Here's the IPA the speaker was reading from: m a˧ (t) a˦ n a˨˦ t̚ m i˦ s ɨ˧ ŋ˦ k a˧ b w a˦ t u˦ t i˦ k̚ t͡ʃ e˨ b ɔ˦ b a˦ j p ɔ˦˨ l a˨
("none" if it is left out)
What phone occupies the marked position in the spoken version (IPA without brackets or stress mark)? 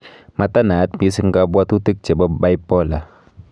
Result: t